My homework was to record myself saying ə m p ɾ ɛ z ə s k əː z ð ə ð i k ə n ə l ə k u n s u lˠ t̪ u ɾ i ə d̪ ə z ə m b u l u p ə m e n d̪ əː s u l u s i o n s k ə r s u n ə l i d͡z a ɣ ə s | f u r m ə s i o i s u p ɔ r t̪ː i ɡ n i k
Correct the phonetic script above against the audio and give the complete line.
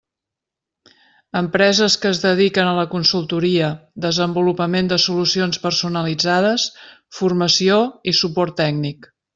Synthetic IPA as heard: ə m p ɾ ɛ z ə s k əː z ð ə ð i k ə n ə l ə k u n s u lˠ t̪ u ɾ i ə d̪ ə z ə m b u l u p ə m e n d̪ ə s u l u s i o n s p ə r s u n ə l i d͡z a ð ə s | f u r m ə s i o i s u p ɔ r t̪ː ɛ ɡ n i k